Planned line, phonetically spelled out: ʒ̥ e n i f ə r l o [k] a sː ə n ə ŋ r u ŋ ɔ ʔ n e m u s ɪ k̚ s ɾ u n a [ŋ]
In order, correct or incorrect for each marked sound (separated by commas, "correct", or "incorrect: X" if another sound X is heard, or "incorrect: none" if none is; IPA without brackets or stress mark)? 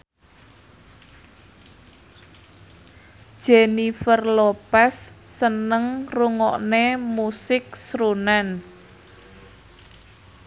incorrect: p, incorrect: n